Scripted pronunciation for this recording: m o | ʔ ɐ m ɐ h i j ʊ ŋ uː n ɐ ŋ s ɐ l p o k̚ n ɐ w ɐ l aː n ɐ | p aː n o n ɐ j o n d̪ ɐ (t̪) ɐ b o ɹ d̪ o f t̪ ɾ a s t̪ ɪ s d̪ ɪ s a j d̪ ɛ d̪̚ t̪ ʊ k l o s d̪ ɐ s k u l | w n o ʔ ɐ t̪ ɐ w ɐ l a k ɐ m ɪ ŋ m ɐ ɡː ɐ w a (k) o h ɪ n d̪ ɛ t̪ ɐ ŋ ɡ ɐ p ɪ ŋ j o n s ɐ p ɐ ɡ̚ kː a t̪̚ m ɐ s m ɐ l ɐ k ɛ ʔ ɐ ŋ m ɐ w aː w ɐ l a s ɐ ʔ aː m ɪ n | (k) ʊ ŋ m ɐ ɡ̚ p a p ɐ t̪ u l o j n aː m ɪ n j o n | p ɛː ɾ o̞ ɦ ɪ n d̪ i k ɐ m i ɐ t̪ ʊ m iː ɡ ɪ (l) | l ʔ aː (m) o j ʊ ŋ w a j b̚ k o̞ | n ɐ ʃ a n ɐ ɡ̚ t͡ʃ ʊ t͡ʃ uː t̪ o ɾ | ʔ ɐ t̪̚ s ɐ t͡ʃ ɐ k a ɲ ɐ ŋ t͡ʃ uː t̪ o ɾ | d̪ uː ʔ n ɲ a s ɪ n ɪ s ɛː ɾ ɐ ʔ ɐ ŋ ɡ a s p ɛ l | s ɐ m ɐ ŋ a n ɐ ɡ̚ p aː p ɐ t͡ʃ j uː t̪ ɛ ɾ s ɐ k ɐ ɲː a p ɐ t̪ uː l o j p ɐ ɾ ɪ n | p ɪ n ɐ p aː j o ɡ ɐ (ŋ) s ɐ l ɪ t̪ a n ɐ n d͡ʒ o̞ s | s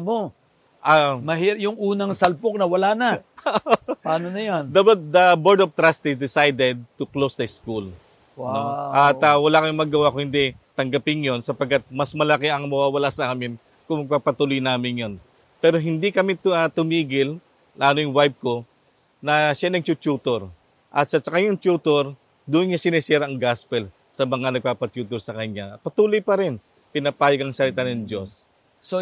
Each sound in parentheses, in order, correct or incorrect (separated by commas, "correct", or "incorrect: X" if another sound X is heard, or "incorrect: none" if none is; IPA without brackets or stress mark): incorrect: d̪, correct, correct, correct, incorrect: n, correct